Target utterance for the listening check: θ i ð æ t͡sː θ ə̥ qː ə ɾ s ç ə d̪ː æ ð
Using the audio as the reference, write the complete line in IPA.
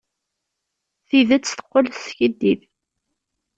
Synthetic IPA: θ i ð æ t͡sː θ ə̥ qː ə l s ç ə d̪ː i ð